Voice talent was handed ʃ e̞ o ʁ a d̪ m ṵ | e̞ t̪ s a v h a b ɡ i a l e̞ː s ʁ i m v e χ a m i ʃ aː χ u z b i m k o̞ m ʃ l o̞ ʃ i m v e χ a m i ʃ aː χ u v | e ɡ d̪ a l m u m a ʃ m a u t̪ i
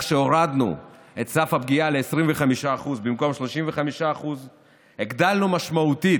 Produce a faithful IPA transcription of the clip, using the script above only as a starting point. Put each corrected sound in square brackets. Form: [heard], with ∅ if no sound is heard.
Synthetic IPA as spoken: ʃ e̞ o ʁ a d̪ [n] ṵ | e̞ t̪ s a [f] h a b ɡ i a l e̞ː s ʁ i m v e χ a m i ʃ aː χ u z b i m k o̞ m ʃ l o̞ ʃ i m v e χ a m i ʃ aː χ u [z] | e ɡ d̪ a l [n] u m a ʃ m a u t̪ i